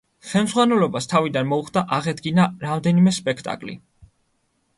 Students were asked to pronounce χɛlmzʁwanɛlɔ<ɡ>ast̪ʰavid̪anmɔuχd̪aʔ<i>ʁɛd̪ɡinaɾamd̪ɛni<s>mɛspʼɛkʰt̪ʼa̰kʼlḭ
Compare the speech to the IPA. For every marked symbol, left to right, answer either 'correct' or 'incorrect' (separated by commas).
incorrect, incorrect, incorrect